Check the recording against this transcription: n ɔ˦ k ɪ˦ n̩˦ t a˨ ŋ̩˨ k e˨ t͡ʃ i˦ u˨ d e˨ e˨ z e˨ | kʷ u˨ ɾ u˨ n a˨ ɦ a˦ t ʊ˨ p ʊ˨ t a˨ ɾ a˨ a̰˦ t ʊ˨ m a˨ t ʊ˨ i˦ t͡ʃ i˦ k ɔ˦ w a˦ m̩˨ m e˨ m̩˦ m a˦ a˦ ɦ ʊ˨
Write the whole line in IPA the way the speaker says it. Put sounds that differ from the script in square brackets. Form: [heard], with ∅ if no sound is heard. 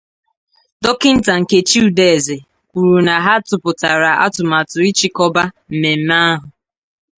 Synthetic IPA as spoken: [d] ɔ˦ k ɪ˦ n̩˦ t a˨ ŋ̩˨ k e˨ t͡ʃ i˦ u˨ d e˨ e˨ z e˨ | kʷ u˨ ɾ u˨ n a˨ ɦ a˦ t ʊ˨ p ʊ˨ t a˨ ɾ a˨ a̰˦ t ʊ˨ m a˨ t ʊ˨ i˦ t͡ʃ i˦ k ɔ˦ [b] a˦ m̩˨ m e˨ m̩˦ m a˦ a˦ ɦ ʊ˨